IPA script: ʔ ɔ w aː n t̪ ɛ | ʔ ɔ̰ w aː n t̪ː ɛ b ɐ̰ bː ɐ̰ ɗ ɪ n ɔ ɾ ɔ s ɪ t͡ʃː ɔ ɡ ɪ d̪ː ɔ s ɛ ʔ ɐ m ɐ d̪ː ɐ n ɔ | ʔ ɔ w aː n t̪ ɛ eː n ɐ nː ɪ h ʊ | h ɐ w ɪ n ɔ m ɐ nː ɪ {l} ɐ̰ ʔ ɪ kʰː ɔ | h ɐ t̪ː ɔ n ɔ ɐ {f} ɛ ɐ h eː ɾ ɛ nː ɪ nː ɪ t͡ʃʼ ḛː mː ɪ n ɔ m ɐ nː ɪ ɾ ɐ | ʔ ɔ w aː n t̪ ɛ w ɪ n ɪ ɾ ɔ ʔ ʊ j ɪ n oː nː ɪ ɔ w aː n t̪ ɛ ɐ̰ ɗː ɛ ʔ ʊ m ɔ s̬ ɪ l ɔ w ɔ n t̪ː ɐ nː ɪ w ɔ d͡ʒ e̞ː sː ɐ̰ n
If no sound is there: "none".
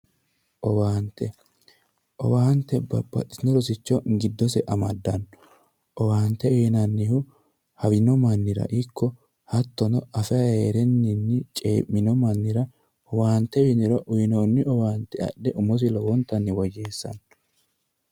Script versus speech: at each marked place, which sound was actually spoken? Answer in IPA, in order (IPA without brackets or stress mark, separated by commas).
ɾ, f